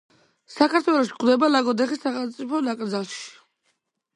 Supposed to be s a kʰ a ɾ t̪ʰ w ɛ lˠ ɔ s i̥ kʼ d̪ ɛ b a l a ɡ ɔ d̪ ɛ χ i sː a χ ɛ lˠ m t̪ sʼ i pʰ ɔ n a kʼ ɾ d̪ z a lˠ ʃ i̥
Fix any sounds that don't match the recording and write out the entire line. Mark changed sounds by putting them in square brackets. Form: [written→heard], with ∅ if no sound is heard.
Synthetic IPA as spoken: s a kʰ a ɾ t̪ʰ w ɛ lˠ ɔ [s→ʃ] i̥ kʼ d̪ ɛ b a l a ɡ ɔ d̪ ɛ χ i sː a χ ɛ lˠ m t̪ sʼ i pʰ ɔ n a kʼ ɾ d̪ z a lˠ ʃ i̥